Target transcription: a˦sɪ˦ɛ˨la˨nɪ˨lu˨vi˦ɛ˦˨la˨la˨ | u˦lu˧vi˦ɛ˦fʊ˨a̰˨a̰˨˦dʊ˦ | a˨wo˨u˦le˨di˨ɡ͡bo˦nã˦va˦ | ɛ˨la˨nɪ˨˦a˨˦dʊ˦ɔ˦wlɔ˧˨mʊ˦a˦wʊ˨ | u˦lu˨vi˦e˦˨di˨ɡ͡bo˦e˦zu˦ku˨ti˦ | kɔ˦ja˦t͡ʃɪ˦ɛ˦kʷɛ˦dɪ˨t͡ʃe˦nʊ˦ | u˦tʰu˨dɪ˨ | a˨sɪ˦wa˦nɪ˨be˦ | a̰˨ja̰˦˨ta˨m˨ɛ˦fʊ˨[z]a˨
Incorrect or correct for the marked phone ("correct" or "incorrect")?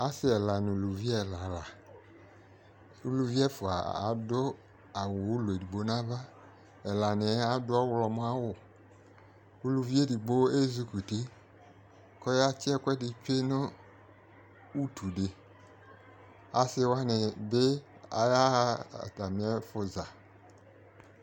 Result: correct